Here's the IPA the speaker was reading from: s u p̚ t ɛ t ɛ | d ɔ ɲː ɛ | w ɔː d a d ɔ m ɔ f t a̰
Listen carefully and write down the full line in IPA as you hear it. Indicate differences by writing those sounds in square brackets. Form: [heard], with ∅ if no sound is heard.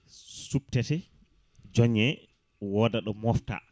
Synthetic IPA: s u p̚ t ɛ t ɛ | [d͡ʒ] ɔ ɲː ɛ | w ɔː d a [ɗ] ɔ m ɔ f t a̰

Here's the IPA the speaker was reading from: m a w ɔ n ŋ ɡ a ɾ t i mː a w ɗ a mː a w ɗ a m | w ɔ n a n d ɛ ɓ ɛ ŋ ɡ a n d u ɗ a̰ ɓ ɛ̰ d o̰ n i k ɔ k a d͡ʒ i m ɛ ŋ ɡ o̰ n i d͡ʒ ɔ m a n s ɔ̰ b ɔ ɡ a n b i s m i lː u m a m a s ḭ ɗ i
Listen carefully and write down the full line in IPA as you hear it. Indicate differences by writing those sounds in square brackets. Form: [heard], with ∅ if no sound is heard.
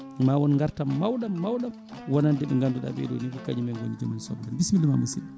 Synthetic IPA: m a w ɔ n ŋ ɡ a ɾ t [a] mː a w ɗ a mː a w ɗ a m | w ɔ n a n d ɛ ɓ ɛ ŋ ɡ a n d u ɗ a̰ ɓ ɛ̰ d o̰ n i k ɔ k a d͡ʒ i m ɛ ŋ ɡ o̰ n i d͡ʒ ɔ m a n s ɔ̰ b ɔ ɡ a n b i s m i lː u m a m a s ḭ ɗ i

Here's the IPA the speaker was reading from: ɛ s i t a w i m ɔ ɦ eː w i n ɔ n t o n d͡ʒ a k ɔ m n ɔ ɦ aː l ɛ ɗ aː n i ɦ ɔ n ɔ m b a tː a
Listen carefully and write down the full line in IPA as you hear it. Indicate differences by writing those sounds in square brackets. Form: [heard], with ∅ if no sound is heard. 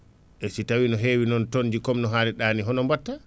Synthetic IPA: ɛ s i t a w i [n] ɔ ɦ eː w i n ɔ n t o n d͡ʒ [i] k ɔ m n ɔ ɦ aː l ɛ ɗ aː n i ɦ ɔ n ɔ m b a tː a

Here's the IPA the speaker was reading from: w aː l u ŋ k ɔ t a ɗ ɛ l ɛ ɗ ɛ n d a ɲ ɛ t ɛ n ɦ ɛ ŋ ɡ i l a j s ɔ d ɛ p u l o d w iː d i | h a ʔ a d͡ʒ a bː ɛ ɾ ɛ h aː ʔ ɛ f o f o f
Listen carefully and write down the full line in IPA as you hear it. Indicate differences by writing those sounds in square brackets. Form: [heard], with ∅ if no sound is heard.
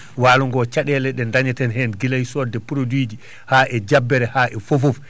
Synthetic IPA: w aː l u ŋ [ɡ] ɔ [t͡ʃ] a ɗ ɛ l ɛ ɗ ɛ n d a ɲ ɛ t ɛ n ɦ ɛ [n] ɡ i l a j s ɔ d ɛ p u [ɾ] o d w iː [d͡ʒ] i | h a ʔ [ɛ] d͡ʒ a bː ɛ ɾ ɛ h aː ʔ ɛ f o f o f

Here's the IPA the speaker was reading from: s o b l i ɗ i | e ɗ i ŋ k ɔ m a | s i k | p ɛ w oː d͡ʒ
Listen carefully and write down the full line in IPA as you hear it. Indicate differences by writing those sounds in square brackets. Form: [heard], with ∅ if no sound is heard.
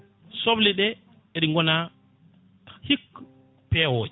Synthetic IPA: s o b l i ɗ [ɛ] | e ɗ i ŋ [ɡ] ɔ [n] a | [h] i k | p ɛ w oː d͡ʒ

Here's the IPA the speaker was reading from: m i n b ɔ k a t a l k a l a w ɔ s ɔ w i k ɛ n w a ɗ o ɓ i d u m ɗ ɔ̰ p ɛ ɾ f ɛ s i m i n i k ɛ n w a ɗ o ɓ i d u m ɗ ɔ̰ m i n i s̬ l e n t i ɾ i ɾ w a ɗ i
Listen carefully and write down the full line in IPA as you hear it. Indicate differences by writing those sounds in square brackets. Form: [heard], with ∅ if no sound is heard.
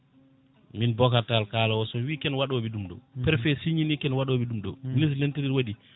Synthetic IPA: m i n b ɔ k a t a l k a l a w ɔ s ɔ w i k ɛ n w a ɗ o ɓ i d u m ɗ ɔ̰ p ɛ ɾ f ɛ s i [ɲ] i n i k ɛ n w a ɗ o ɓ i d u m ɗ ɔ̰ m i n i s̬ l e n t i ɾ i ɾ w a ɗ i

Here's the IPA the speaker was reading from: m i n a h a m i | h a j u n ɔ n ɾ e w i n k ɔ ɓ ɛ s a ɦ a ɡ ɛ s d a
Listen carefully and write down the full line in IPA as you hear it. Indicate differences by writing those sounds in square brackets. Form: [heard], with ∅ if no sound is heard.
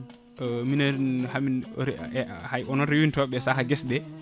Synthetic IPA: m i n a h a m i | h a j [ɔ] n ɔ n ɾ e w i n [t] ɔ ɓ ɛ s a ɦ a ɡ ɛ s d [ɛ]

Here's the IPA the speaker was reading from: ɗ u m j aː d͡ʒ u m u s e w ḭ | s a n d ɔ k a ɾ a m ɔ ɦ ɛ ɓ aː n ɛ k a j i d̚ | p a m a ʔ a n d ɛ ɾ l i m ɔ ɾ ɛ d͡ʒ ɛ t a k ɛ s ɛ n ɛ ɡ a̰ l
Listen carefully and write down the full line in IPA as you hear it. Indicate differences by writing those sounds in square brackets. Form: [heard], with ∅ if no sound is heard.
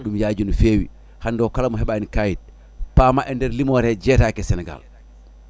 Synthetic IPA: ɗ u m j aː d͡ʒ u [n] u [f] e w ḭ | [h] a n d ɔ k a [l] a m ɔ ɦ ɛ ɓ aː n [i] k a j i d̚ | p a m a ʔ [ɛ] n d ɛ ɾ l i m ɔ ɾ ɛ d͡ʒ ɛ t a k ɛ s ɛ n ɛ ɡ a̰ l

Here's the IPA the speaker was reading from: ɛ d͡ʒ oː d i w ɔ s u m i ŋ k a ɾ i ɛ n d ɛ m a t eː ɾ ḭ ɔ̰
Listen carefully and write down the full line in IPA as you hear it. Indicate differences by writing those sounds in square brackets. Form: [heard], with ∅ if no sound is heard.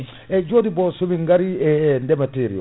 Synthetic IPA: ɛ d͡ʒ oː d i [b] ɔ s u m i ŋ [ɡ] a ɾ i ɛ n d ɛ m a t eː ɾ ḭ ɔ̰

